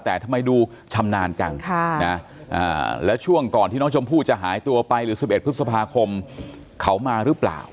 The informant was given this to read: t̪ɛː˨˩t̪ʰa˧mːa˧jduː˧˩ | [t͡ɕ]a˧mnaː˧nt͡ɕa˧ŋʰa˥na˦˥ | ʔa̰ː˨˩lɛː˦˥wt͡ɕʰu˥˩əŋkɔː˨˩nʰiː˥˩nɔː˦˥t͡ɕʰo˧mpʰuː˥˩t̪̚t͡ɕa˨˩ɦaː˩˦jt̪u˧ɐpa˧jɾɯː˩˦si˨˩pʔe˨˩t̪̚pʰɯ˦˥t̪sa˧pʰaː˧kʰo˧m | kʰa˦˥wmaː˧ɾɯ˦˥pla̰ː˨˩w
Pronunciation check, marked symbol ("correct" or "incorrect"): incorrect